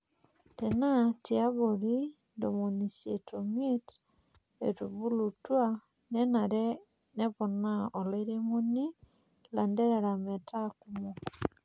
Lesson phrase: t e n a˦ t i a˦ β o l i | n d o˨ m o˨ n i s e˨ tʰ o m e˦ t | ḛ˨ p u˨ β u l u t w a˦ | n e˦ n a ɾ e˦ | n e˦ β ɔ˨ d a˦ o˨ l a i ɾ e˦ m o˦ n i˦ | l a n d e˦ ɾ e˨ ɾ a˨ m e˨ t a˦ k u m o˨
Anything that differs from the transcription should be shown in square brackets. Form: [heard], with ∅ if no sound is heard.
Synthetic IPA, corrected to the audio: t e n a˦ t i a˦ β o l i | n d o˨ m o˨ n i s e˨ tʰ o m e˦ t | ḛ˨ [t] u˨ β u l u t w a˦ | n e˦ n a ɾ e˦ | n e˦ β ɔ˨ [n] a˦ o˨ l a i ɾ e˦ m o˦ n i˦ | l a n d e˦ ɾ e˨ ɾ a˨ m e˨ t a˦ k u m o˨